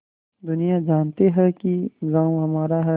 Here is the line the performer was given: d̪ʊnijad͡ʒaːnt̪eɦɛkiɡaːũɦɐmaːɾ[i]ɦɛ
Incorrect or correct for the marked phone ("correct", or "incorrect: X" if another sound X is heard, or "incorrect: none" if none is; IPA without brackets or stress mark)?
incorrect: a